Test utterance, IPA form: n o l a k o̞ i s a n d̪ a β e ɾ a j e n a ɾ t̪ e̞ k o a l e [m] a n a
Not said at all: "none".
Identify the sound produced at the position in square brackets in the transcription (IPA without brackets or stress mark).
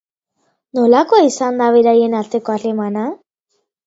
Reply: m